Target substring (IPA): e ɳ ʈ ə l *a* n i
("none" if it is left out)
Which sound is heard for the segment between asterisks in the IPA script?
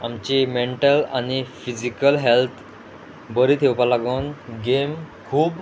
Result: a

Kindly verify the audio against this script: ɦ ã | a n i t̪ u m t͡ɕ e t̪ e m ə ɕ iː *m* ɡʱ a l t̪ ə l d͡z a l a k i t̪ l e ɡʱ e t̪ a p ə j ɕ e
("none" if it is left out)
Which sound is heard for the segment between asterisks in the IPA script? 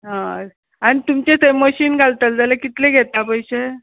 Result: n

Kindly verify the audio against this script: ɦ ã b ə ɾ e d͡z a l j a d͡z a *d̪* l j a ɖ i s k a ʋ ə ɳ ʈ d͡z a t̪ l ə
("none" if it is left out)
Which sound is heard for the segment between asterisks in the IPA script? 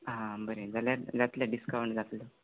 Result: t̪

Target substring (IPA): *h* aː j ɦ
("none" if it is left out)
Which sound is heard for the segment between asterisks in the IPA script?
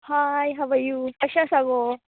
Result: h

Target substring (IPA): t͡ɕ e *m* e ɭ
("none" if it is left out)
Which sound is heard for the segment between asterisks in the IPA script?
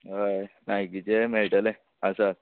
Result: m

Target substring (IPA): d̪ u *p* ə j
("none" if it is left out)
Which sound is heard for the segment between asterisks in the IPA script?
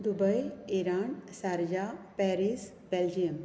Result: b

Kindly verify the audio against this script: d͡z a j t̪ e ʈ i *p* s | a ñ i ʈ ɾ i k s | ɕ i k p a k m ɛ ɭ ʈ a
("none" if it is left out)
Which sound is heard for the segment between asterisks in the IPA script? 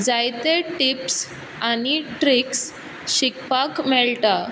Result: p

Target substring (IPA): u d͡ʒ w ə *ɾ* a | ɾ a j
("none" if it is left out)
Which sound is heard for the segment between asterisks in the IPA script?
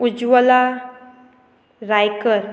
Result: l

